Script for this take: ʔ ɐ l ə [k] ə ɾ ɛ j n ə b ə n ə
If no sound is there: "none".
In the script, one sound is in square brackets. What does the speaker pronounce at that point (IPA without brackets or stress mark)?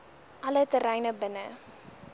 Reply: t